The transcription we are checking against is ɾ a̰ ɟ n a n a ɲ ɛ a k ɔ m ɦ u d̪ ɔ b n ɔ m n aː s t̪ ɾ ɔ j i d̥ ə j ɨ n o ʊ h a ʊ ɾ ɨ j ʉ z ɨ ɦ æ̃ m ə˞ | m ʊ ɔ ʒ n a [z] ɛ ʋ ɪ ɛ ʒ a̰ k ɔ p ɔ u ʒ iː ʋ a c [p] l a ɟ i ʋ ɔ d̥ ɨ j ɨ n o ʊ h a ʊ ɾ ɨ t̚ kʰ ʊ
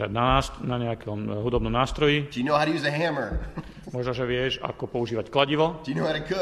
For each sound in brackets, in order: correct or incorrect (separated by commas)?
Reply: incorrect, incorrect